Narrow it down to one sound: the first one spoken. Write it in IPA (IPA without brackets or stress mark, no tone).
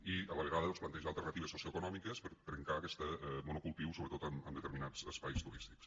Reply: i